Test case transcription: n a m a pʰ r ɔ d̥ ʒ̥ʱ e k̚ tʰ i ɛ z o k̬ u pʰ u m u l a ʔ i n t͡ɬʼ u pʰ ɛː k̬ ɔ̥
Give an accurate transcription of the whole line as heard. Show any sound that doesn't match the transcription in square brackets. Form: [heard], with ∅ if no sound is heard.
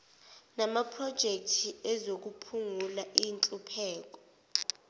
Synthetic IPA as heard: n a m a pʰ r ɔ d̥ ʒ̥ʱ e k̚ tʰ i ɛ z o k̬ u pʰ u [ŋ] u l a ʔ i n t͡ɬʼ u pʰ ɛː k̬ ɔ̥

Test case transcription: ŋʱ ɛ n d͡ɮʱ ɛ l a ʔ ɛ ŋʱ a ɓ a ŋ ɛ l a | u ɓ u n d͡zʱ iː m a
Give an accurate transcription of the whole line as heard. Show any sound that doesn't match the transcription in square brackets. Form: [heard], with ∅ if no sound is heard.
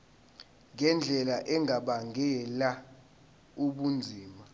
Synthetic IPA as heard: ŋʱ ɛ n d͡ɮʱ ɛ l a ʔ ɛ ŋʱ a ɓ a ŋ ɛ l a | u ɓ u n d͡zʱ iː m a

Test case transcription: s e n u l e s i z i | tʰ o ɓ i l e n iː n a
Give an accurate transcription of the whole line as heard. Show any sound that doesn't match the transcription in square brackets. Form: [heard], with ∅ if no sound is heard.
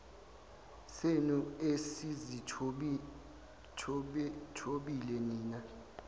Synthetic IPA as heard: s e n u [∅] e s i z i | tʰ o ɓ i l [ɛ] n iː n a

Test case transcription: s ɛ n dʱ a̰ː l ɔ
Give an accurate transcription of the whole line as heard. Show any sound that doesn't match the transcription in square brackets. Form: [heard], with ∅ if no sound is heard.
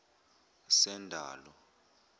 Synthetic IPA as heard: s ɛ n dʱ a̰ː l ɔ

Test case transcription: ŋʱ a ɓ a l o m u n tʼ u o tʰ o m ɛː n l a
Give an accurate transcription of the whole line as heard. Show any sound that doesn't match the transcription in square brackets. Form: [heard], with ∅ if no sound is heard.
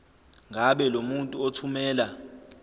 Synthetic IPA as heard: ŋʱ a ɓ [ɛ] l o m u n tʼ u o tʰ [u] m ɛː [∅] l a

